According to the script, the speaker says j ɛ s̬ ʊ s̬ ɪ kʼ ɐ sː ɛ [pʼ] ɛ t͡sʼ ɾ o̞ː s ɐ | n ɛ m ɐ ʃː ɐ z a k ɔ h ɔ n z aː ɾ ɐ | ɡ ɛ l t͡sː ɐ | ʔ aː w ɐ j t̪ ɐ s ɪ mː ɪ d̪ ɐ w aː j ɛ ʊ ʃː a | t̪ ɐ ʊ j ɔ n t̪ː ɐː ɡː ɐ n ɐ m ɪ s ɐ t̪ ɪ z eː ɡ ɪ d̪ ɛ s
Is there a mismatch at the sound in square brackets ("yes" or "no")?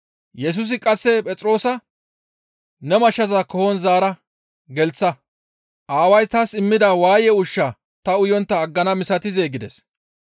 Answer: no